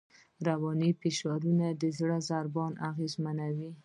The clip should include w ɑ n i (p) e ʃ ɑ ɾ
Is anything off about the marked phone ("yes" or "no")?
no